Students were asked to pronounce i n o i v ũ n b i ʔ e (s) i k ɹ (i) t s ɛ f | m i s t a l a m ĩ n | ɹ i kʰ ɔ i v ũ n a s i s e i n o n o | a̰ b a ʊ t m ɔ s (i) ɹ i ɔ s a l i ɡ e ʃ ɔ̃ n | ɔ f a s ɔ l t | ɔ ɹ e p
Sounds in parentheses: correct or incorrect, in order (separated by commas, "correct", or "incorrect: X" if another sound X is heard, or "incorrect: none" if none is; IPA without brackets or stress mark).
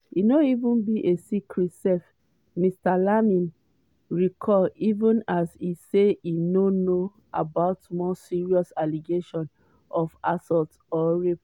correct, correct, correct